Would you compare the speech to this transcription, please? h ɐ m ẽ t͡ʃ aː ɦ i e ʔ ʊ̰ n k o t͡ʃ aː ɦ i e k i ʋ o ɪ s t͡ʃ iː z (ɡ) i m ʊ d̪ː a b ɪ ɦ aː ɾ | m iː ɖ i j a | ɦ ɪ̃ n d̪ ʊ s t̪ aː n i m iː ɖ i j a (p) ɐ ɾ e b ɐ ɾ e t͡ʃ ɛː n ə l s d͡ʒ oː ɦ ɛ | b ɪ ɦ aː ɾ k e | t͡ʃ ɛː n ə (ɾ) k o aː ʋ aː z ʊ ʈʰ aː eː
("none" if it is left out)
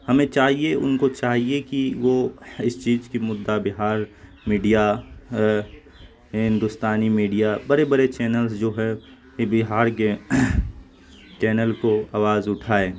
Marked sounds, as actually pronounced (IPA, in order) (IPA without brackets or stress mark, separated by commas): k, b, l